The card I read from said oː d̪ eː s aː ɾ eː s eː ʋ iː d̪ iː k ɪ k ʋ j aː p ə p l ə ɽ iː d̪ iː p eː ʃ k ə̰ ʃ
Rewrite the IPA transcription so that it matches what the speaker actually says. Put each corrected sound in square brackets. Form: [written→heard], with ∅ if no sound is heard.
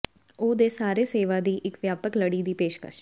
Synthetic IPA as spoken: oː d̪ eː s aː ɾ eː s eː ʋ [iː→aː] d̪ iː [k→ʔ] ɪ k ʋ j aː p ə [p→k] l ə ɽ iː d̪ iː p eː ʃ k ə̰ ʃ